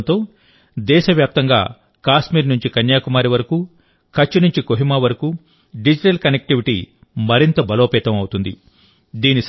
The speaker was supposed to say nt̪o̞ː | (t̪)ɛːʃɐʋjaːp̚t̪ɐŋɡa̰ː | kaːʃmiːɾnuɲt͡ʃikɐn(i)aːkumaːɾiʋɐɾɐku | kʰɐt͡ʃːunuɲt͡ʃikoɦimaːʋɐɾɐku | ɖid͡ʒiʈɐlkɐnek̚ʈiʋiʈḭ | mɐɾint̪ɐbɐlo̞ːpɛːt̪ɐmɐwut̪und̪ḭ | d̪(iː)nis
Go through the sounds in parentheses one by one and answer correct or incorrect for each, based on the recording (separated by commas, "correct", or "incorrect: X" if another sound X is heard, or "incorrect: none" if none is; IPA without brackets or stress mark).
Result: incorrect: d̪, incorrect: j, correct